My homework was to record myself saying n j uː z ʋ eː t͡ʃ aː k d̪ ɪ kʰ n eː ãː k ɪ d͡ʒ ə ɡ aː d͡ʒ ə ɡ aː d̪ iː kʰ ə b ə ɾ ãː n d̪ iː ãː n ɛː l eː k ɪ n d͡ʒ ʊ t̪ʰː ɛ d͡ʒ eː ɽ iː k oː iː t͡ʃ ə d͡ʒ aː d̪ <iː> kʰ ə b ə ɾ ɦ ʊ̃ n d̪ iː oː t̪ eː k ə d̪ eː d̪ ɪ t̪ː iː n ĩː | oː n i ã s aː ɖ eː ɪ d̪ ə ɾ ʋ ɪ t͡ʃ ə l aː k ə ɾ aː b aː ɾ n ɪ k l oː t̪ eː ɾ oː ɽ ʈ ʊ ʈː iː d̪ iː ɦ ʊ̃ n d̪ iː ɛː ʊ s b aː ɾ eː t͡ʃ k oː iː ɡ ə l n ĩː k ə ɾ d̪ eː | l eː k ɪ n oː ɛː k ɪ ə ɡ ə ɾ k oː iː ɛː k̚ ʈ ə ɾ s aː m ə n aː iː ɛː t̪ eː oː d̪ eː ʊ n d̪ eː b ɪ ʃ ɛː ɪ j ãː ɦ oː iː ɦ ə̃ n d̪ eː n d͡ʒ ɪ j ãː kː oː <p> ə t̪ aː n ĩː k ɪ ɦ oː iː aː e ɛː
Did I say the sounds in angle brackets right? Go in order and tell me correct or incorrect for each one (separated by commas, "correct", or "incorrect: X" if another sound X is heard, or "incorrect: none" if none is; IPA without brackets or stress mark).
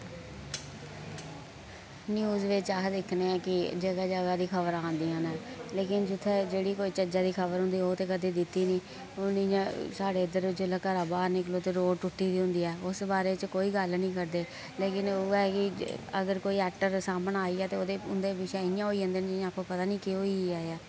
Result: correct, correct